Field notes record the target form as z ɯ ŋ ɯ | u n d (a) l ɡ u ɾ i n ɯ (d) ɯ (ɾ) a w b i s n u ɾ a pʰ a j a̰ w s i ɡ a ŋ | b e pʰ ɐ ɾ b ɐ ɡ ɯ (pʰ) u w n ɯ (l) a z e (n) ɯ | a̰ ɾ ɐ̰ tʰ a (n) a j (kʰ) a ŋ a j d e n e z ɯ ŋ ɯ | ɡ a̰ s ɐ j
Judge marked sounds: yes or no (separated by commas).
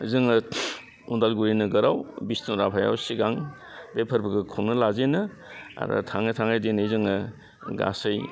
yes, no, yes, no, yes, yes, no, no